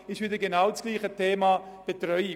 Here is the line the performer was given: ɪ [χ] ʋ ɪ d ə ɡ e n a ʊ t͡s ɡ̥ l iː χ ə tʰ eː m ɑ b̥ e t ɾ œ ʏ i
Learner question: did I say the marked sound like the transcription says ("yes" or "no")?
no